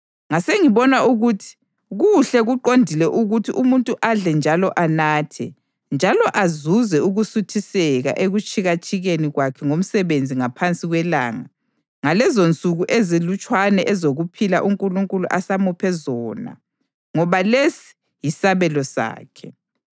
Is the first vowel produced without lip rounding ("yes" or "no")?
yes